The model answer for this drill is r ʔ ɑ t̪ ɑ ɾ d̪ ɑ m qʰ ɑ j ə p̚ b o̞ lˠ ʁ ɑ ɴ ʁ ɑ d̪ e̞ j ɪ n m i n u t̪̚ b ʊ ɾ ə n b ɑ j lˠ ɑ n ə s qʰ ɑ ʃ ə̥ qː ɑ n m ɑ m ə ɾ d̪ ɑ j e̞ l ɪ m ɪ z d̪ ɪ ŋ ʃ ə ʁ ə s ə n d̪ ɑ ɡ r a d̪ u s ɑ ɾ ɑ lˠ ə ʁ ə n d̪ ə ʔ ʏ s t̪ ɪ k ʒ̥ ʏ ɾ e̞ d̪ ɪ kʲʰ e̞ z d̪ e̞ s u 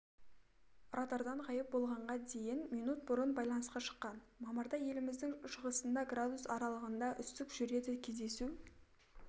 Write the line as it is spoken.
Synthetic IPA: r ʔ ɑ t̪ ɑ ɾ d̪ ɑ ɴ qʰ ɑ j ə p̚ b o̞ lˠ ʁ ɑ ɴ ʁ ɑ d̪ e̞ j ɪ n m i n u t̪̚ b ʊ ɾ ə n b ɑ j lˠ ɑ n ə s q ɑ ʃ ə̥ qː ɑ n m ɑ m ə ɾ d̪ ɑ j e̞ l ɪ m ɪ z d̪ ɪ ŋ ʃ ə ʁ ə s ə n d̪ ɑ ɡ r a d̪ u s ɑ ɾ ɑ lˠ ə ʁ ə n d̪ ɑ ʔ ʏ s t̪ ɪ k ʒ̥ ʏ ɾ e̞ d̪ ɪ kʲʰ e̞ z d̪ e̞ s u